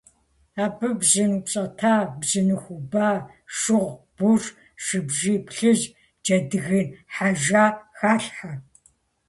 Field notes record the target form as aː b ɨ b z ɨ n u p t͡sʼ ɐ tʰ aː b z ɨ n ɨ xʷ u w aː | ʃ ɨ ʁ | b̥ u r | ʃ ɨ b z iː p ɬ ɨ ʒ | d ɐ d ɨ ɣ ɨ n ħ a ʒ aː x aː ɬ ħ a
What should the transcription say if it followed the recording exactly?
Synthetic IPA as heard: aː b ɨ b z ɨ n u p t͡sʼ ɐ tʰ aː b z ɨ n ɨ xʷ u b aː | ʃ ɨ ʁ | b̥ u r | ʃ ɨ b ʒ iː p ɬ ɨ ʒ | d͡ʒ ɐ d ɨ ɣ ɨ n ħ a ʒ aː x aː ɬ ħ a